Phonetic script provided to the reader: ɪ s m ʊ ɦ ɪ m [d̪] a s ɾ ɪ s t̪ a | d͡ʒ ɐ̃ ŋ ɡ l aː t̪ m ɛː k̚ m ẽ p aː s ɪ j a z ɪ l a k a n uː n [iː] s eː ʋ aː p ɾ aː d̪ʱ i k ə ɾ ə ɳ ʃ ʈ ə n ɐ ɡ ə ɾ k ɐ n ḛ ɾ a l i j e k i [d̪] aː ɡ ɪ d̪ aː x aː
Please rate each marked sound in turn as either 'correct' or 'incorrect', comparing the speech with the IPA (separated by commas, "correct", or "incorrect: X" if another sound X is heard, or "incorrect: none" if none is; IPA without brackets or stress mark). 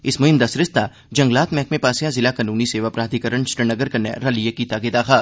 correct, incorrect: i, incorrect: t̪